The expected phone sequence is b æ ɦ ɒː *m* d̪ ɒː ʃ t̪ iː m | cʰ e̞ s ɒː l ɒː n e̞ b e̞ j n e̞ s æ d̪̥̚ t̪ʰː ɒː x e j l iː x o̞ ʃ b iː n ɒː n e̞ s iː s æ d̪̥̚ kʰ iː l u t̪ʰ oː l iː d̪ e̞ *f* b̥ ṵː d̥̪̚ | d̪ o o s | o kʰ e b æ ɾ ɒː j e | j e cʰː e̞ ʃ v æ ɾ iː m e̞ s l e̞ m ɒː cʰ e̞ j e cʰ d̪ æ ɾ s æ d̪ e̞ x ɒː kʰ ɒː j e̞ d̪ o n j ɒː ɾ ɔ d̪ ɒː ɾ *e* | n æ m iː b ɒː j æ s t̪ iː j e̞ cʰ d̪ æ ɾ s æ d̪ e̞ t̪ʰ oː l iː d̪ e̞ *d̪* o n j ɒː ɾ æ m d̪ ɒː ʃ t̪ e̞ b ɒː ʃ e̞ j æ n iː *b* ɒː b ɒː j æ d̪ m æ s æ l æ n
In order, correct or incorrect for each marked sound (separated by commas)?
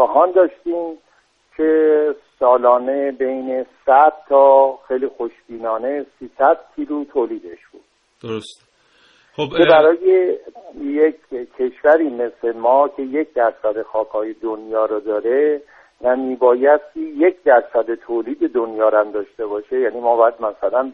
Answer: incorrect, incorrect, correct, correct, incorrect